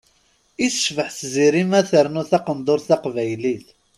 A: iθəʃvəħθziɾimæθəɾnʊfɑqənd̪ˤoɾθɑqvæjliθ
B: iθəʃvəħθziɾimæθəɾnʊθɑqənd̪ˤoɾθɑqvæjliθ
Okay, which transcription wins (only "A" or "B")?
B